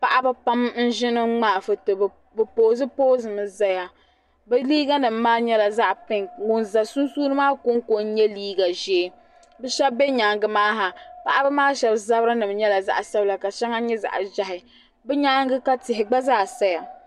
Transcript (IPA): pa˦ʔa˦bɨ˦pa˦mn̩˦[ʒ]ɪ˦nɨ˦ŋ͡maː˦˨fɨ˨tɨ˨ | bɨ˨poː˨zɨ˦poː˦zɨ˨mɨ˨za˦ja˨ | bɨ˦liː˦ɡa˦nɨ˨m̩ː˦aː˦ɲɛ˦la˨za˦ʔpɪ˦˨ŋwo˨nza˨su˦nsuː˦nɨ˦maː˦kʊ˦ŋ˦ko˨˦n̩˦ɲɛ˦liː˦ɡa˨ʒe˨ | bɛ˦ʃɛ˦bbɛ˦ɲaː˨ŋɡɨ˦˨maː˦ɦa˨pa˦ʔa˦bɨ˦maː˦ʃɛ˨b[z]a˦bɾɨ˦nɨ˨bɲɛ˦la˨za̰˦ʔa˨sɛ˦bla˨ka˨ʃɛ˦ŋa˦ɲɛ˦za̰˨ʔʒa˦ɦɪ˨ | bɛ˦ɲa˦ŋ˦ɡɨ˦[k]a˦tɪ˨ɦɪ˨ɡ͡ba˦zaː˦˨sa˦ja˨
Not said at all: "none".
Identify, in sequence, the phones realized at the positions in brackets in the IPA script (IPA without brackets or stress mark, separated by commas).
ʒ, z, k